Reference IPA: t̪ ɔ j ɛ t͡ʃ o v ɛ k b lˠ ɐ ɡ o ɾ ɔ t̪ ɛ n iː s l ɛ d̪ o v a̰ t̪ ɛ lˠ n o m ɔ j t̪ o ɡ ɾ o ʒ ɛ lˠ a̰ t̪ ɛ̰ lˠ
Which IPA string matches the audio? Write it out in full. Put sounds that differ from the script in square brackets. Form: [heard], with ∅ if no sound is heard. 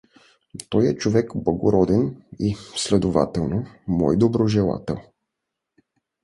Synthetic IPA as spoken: t̪ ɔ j ɛ t͡ʃ o v ɛ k b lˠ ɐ ɡ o ɾ ɔ [d̪] ɛ n [i] s l ɛ d̪ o v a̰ t̪ ɛ lˠ n o m ɔ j [d̪] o [b] ɾ o ʒ ɛ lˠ a̰ t̪ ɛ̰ lˠ

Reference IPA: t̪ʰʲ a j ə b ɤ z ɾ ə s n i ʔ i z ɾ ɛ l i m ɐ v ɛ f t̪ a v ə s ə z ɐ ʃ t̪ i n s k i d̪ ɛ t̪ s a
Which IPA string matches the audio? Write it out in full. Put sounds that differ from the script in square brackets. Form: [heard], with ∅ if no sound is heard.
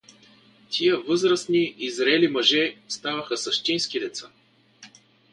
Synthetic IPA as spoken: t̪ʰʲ [i] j ə [v] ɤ z ɾ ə s n i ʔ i z ɾ ɛ l i m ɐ [ʒ] ɛ [s] t̪ a v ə [x] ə [s] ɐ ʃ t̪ i n s k i d̪ ɛ t̪ s a

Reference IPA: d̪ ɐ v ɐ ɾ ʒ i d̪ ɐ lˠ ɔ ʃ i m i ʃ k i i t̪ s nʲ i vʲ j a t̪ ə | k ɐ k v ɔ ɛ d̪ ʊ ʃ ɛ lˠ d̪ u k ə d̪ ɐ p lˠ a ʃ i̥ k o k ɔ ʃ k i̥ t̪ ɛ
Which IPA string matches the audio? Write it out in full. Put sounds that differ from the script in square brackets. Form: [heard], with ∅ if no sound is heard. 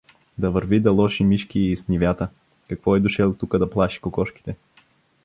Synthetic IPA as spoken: d̪ ɐ v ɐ ɾ [v] i d̪ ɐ lˠ ɔ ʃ i m i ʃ k i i [∅] s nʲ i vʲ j a t̪ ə | k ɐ k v ɔ ɛ d̪ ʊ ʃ ɛ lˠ [t̪] u k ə d̪ ɐ p lˠ a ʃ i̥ k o k ɔ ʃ k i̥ t̪ ɛ

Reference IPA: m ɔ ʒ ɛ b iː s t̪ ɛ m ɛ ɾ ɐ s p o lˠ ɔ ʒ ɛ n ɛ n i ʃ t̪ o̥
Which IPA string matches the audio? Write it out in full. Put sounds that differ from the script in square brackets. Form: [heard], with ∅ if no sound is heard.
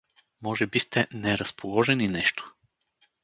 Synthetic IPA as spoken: m ɔ ʒ ɛ b [i] s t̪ ɛ [n] ɛ ɾ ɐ s p o lˠ ɔ ʒ ɛ n [i] n [ɛ] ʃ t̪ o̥

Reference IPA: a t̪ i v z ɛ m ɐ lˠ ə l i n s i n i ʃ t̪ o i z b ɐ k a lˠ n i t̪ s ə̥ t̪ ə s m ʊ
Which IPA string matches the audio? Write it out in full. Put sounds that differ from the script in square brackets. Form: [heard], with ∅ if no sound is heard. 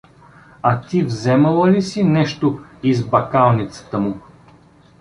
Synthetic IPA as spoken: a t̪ i v z ɛ m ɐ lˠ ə l i [∅] s i n [ɛ] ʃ t̪ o i z b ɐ k a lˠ n i t̪ s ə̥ t̪ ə [∅] m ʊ

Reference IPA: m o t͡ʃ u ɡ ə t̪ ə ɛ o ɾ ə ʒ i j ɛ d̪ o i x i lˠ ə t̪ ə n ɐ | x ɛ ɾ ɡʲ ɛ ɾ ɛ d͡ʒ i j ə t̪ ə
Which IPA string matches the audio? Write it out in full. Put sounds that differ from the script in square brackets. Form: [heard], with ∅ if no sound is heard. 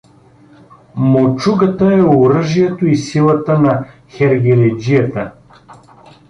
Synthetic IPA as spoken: m o t͡ʃ u ɡ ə t̪ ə ɛ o ɾ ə ʒ i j ɛ [t̪] o i [s] i lˠ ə t̪ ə n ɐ | x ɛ ɾ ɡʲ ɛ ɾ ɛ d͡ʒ i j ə t̪ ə

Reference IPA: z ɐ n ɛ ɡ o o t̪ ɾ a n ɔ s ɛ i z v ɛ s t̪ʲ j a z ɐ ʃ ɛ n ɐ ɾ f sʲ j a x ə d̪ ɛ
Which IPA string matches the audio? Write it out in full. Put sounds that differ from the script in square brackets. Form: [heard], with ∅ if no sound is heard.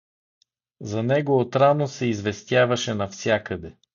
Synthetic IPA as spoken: z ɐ n ɛ ɡ o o t̪ ɾ a n [o] s ɛ i z v ɛ s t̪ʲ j a [v] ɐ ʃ ɛ n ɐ [∅] f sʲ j a [k] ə d̪ ɛ

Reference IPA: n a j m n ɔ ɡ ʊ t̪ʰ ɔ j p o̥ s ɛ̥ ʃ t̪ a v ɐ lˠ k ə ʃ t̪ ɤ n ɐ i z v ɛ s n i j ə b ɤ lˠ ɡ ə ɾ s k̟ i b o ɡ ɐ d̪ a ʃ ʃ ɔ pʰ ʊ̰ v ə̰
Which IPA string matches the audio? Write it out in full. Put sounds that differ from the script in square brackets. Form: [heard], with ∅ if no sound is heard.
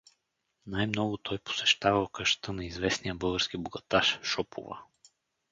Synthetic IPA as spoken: n a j m n ɔ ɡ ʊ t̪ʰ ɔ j p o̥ s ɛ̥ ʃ t̪ a v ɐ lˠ k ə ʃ t̪ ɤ n ɐ i z v ɛ s n i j ə b ɤ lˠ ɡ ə ɾ s k̟ i b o ɡ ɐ [t̪] a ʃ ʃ ɔ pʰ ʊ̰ v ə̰

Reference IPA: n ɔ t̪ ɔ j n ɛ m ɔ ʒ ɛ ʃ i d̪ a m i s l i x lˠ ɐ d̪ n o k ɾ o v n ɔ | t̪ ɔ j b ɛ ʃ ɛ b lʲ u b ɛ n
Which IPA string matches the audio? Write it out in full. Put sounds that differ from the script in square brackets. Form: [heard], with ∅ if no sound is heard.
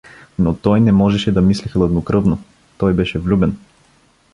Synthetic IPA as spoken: n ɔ t̪ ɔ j n ɛ m ɔ ʒ ɛ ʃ [ɛ] d̪ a m i s l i x lˠ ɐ d̪ n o k ɾ [ɤ] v n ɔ | t̪ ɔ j b ɛ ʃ ɛ [v] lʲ u b ɛ n

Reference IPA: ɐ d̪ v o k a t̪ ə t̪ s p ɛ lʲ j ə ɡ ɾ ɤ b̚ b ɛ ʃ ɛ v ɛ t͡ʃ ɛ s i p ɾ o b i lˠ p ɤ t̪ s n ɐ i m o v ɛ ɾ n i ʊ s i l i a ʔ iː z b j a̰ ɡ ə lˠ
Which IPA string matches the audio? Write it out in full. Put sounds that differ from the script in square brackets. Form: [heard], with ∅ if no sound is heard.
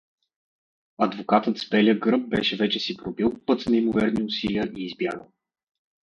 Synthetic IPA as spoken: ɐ d̪ v o k a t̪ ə t̪ s p ɛ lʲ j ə ɡ ɾ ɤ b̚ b ɛ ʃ ɛ v ɛ t͡ʃ ɛ s i p ɾ o b i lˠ p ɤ t̪ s n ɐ i m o v ɛ ɾ n i ʊ s i l i [ə] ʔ iː z b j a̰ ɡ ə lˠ

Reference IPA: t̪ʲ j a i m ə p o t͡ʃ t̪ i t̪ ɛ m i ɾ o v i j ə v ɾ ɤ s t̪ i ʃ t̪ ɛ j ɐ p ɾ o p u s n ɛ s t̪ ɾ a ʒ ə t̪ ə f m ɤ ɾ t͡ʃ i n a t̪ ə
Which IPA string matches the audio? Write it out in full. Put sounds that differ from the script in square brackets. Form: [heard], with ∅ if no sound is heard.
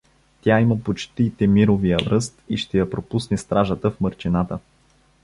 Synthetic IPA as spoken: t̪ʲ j a i m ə p o t͡ʃ t̪ i t̪ ɛ m i ɾ o v i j ə v ɾ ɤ s t̪ i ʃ t̪ ɛ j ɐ p ɾ o p u s n ɛ s t̪ ɾ a ʒ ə t̪ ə f m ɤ ɾ t͡ʃ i n a t̪ ə

